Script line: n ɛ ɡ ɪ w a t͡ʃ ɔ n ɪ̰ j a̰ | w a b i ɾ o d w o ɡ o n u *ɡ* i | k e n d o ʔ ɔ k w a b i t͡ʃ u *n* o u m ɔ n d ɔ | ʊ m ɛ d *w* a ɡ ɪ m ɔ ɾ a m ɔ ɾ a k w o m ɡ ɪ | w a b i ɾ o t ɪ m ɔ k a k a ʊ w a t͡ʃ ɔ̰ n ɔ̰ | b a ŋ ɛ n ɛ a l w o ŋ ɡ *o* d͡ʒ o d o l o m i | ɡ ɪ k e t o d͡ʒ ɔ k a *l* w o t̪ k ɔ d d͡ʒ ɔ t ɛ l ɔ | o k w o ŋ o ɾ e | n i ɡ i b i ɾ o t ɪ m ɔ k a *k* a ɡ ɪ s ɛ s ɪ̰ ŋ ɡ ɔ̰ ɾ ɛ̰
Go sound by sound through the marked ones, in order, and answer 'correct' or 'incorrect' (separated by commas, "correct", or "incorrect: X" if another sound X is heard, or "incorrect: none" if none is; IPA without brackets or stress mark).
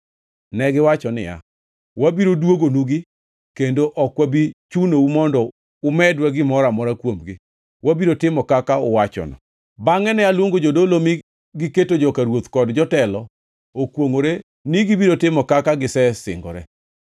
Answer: correct, correct, correct, correct, incorrect: ɾ, correct